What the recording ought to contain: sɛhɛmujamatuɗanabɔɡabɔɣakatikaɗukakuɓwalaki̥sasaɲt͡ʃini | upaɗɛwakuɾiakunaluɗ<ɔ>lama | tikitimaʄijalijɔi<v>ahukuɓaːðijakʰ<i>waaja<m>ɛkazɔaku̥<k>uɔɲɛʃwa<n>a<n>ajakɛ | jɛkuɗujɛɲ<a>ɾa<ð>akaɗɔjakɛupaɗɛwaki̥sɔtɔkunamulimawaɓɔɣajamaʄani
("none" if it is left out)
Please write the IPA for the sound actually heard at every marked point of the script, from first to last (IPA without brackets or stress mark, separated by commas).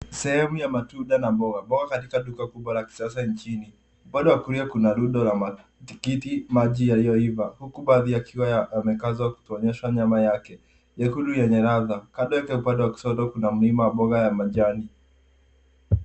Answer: ɔ, v, i, m, t, ɲ, m, ɛ, ð